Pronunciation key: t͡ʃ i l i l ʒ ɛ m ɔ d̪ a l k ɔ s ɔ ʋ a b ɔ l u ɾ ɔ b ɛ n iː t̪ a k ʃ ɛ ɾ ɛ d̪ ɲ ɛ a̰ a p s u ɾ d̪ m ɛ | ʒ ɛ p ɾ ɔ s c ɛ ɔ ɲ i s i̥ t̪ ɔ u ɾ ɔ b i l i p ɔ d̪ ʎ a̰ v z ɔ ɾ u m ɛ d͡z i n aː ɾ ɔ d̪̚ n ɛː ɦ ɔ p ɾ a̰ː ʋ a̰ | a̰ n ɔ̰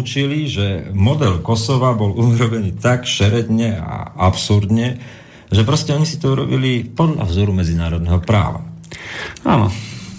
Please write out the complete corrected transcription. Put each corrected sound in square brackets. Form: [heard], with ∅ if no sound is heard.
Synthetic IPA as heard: t͡ʃ i l i [∅] ʒ ɛ m ɔ d̪ [ɛ] l k ɔ s ɔ ʋ a b ɔ l u ɾ ɔ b ɛ n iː t̪ a k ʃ ɛ ɾ ɛ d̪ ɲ ɛ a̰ a p s u ɾ d̪ [ɲ] ɛ | ʒ ɛ p ɾ ɔ s c ɛ ɔ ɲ i s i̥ t̪ ɔ u ɾ ɔ b i l i p ɔ d̪ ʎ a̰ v z ɔ ɾ u m ɛ d͡z i n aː ɾ ɔ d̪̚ n [ɛ] ɦ ɔ p ɾ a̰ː ʋ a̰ | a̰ n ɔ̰